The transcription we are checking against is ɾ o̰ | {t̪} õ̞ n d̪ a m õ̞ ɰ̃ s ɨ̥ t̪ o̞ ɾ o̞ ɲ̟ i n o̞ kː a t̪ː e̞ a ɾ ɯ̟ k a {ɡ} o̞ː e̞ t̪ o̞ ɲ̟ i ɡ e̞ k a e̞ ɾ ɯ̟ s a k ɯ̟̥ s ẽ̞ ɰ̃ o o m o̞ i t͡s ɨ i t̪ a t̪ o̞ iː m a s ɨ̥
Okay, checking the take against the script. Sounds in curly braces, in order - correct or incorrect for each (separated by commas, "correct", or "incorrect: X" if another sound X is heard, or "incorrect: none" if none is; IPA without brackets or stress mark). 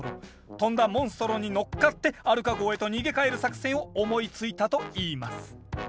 correct, correct